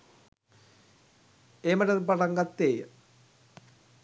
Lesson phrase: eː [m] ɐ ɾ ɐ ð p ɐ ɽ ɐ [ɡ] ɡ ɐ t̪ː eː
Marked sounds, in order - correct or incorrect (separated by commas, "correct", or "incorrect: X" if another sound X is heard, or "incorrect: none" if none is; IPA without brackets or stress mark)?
correct, incorrect: ŋ